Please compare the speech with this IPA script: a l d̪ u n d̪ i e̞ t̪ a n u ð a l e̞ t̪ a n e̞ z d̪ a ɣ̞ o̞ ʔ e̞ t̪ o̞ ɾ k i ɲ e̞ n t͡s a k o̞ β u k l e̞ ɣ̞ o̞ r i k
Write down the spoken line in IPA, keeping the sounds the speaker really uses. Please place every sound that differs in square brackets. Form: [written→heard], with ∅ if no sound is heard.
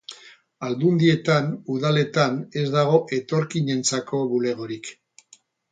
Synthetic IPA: a l d̪ u n d̪ i e̞ t̪ a n u ð a l e̞ t̪ a n e̞ z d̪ a ɣ̞ o̞ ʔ e̞ t̪ o̞ ɾ k i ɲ e̞ n t͡s a k o̞ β u [k→∅] l e̞ ɣ̞ o̞ [r→ɾ] i k